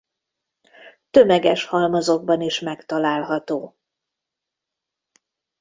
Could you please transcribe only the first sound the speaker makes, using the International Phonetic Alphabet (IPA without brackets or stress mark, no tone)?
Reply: t̪